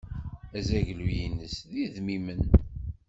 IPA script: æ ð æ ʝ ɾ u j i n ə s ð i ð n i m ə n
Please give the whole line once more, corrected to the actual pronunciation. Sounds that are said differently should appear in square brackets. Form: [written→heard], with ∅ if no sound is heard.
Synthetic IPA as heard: æ [ð→z] æ ʝ [ɾ→l] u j i n ə s ð i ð [n→m] i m ə n